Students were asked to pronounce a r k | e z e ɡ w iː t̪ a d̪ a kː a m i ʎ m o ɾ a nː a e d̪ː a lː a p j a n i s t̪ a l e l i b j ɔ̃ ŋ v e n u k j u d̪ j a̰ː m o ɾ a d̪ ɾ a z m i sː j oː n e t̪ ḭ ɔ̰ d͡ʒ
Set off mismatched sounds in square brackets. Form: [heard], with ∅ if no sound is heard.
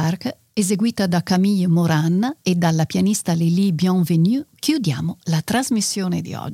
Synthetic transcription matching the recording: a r k | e z e ɡ w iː t̪ a d̪ a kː a m i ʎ m o ɾ a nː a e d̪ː a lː a p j a n i s t̪ a l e l i b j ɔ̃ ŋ v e n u k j u d̪ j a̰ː m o [l] a [t̪] ɾ a z m i sː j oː n e [d̪] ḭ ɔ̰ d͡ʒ